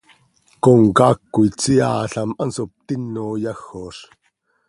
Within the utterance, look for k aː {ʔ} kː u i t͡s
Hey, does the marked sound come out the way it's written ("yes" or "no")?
no